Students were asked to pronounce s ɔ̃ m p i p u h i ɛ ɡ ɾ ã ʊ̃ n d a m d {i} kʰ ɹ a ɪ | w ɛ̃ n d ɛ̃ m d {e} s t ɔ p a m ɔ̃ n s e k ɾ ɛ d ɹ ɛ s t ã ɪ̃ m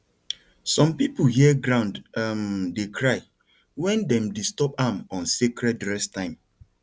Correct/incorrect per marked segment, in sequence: incorrect, incorrect

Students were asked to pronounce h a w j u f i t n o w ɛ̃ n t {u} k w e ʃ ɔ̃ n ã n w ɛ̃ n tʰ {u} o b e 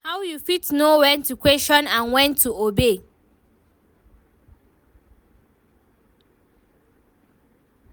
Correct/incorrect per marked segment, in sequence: correct, correct

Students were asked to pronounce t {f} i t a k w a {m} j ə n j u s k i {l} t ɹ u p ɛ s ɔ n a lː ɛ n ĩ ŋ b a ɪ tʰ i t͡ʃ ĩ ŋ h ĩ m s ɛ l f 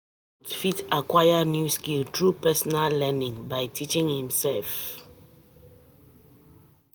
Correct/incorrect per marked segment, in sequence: correct, incorrect, correct

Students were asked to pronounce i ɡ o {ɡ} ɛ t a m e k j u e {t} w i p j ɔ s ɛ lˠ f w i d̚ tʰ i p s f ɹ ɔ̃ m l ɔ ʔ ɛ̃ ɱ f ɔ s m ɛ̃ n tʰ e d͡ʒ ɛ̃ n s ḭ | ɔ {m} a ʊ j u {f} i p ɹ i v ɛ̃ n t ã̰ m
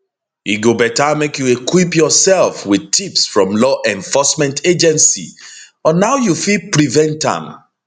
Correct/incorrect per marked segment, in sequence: incorrect, incorrect, incorrect, correct

